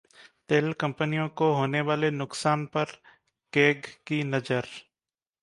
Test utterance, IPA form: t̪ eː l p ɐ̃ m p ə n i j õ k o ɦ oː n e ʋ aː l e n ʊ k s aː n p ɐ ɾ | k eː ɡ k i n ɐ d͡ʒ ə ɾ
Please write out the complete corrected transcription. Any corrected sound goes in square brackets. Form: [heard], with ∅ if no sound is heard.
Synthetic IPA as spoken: t̪ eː l [k] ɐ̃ m p ə n i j õ k o ɦ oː n e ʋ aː l e n ʊ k s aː n p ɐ ɾ | k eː ɡ k i n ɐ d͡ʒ ə ɾ